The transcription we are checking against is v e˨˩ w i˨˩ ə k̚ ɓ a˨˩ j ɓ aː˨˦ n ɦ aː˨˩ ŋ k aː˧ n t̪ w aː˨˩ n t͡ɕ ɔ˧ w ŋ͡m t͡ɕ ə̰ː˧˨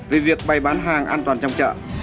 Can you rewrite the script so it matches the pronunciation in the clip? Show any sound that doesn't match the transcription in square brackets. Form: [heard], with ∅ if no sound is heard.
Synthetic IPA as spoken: v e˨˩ [v] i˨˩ ə k̚ ɓ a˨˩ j ɓ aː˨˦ n ɦ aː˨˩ ŋ [ʔ] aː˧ n t̪ w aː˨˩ n t͡ɕ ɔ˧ w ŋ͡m t͡ɕ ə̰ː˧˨